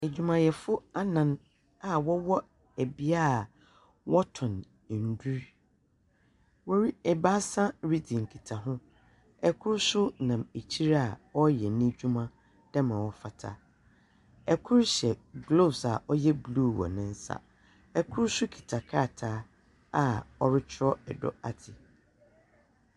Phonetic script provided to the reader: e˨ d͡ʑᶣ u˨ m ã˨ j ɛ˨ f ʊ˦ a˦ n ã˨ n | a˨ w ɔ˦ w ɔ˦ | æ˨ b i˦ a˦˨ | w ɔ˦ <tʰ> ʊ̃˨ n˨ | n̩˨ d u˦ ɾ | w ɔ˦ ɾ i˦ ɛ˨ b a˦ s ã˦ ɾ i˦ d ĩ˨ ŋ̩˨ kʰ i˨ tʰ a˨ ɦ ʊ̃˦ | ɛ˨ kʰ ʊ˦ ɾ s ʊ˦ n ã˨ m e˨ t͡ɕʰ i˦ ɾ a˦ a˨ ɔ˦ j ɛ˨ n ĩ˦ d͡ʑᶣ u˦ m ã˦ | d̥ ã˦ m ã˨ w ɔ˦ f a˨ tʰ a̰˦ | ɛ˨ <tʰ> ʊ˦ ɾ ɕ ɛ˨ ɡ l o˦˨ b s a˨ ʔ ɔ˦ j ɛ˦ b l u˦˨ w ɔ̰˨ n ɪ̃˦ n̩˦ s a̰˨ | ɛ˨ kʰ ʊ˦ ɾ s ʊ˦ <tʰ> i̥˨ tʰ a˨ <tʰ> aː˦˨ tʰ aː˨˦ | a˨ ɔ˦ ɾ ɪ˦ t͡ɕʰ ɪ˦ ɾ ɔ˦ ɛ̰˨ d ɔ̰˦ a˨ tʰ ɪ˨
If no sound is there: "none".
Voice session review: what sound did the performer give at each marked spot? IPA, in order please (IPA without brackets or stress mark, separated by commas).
tʰ, kʰ, kʰ, kʰ